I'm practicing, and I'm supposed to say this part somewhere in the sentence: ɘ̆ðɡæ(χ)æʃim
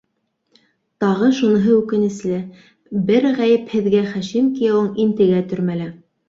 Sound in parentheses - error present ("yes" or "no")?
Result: no